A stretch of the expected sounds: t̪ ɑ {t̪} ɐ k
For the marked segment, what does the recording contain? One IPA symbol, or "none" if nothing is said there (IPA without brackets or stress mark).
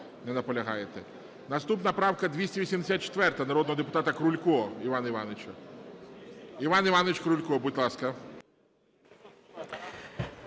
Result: t̪